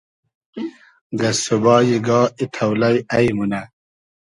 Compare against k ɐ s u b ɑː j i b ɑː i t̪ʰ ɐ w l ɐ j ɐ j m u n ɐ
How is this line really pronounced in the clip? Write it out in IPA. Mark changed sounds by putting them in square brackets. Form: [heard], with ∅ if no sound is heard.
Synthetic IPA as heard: [ɡ] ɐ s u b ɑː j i [ɡ] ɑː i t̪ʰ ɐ w l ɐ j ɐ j m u n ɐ